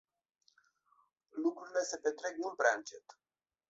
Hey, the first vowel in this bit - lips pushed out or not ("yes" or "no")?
yes